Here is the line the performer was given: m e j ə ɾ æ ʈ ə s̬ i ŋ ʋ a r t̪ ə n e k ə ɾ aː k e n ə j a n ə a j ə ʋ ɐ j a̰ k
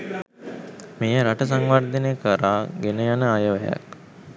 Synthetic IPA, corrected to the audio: m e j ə ɾ a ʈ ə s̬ a ŋ ʋ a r d̪ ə n e k ə ɾ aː ɡ e n ə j a n ə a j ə ʋ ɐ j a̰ k